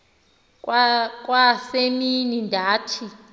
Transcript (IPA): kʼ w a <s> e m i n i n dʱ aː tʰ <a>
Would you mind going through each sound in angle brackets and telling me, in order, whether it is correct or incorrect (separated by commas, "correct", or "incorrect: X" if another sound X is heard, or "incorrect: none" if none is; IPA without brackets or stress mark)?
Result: correct, incorrect: i